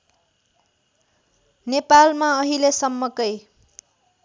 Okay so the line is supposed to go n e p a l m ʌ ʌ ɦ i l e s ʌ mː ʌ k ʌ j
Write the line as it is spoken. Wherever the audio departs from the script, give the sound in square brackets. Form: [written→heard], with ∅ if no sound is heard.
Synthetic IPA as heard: n e p a l m [ʌ→a] ʌ ɦ i l e s ʌ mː ʌ k ʌ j